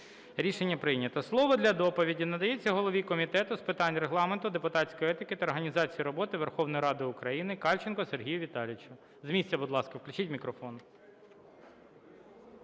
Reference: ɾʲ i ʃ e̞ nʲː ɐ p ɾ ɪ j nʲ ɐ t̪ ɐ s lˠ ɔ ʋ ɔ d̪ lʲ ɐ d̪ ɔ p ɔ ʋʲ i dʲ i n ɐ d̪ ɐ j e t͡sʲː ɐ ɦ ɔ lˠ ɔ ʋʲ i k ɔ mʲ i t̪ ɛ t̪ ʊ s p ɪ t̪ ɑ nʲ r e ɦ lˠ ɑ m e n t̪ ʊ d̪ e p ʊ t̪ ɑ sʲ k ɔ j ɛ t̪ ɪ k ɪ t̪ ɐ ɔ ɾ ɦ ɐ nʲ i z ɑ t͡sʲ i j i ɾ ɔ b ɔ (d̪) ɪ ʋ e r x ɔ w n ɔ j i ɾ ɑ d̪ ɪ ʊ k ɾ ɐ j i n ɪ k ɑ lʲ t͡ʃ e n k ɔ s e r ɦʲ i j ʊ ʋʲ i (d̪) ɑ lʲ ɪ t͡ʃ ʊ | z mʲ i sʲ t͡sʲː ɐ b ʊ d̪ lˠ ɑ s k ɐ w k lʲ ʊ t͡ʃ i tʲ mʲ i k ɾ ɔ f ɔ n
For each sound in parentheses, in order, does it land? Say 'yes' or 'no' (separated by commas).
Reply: no, no